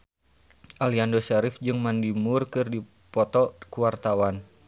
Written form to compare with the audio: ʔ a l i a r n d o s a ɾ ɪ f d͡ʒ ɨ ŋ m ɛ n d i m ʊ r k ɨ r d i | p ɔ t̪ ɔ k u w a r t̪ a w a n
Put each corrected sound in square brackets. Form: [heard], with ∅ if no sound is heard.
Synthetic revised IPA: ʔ a l i a [∅] n d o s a ɾ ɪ f d͡ʒ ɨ ŋ m [a] n d i m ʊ r k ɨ r d i | p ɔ t̪ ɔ k u w a r t̪ a w a n